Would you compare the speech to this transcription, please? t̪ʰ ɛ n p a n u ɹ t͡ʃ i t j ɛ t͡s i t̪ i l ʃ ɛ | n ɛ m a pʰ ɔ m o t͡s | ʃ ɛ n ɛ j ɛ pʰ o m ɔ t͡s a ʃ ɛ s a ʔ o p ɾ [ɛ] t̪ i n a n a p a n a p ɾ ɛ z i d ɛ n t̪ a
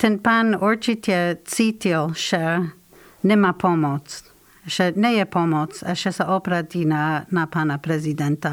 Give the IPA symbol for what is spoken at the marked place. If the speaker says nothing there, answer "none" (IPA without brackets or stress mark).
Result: a